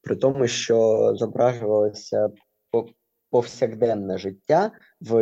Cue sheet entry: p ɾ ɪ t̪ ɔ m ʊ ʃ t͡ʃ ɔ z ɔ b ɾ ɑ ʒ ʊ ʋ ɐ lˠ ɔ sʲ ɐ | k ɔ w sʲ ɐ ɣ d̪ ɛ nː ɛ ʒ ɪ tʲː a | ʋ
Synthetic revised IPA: p ɾ ɪ t̪ ɔ m ʊ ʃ t͡ʃ ɔ z ɔ b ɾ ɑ ʒ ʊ ʋ ɐ lˠ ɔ sʲ ɐ | p ɔ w sʲ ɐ ɣ d̪ ɛ nː ɛ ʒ ɪ tʲː a | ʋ